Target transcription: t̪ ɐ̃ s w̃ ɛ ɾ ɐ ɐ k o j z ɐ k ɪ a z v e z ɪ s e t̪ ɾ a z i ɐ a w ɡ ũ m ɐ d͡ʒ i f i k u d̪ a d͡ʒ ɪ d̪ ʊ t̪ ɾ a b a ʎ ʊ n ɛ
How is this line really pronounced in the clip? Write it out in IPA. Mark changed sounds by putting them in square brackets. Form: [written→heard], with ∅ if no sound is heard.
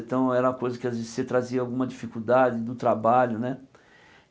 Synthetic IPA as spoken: t̪ ɐ̃ [s→∅] w̃ ɛ ɾ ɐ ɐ k o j z ɐ k ɪ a z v e z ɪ s e t̪ ɾ a z i ɐ a w ɡ ũ m ɐ d͡ʒ i f i k u d̪ a d͡ʒ ɪ d̪ ʊ t̪ ɾ a b a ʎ ʊ n ɛ